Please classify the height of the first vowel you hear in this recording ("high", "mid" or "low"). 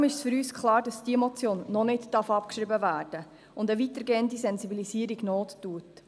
high